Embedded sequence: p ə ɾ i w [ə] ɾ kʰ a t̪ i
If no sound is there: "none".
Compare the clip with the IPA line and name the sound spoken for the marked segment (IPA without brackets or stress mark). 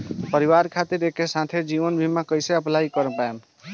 a